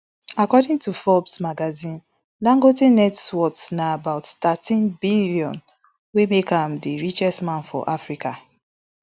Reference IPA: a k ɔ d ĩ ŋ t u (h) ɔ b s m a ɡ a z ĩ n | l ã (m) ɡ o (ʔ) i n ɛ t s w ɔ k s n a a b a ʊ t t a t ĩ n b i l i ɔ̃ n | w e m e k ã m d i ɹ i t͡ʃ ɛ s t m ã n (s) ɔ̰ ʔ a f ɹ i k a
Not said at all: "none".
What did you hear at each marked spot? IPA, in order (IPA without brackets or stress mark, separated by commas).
f, ŋ, t, f